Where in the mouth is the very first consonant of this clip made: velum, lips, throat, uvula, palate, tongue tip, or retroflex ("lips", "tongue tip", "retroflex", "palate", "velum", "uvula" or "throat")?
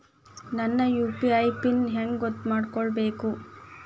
tongue tip